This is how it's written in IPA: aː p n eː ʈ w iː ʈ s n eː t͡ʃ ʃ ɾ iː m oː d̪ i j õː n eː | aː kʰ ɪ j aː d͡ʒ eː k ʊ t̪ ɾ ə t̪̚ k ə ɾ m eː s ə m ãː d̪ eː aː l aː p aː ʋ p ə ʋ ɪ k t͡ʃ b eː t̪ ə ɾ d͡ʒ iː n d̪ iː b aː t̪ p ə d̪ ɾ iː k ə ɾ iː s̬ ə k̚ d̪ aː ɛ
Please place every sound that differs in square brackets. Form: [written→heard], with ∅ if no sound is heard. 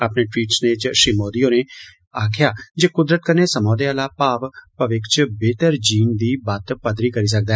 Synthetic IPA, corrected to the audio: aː p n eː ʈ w iː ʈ s n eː t͡ʃ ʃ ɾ iː m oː d̪ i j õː n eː | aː kʰ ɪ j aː d͡ʒ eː k ʊ [t̪→d̪] ɾ ə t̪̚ k ə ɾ [m→n] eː s ə m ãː d̪ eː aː l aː p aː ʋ p ə ʋ ɪ k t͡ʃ b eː t̪ ə ɾ d͡ʒ iː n d̪ iː b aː t̪ p ə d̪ ɾ iː k ə ɾ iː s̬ ə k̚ d̪ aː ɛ